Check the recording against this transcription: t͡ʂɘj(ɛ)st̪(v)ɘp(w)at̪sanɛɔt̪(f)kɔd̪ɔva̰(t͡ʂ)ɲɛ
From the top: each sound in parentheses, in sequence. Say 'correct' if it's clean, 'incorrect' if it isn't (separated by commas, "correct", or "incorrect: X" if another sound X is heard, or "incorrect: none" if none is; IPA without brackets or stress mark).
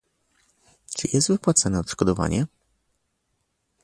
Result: correct, correct, correct, incorrect: ʂ, incorrect: none